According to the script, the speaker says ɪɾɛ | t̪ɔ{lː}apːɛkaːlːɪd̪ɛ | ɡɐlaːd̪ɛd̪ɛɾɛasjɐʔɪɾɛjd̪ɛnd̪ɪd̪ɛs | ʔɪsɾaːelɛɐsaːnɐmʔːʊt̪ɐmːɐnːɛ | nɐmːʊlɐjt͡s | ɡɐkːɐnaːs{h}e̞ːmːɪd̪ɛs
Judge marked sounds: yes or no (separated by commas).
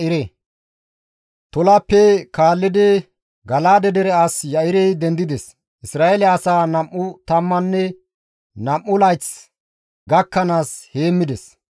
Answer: no, yes